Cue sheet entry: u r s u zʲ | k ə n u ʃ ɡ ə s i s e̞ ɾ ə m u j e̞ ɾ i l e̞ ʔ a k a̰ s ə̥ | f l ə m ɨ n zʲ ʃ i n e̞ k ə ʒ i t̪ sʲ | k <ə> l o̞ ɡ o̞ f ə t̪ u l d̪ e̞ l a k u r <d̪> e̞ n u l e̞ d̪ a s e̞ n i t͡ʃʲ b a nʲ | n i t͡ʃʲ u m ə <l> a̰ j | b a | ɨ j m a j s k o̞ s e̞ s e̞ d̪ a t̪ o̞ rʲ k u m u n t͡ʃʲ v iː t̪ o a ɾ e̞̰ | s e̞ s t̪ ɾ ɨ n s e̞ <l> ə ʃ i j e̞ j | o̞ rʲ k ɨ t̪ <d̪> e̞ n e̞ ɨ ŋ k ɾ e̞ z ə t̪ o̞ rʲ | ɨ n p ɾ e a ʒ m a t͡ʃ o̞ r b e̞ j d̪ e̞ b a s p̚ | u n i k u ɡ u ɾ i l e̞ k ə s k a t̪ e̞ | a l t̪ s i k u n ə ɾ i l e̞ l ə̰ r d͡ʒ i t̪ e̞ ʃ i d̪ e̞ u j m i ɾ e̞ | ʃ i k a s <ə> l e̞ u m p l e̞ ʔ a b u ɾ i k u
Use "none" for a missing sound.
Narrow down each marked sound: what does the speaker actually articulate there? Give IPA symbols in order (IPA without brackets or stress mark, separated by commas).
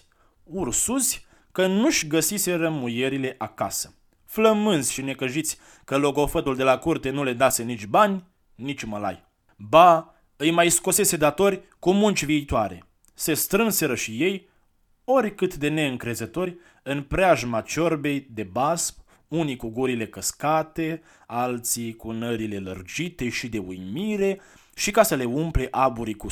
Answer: ə, t̪, l, ɾ, d̪, ə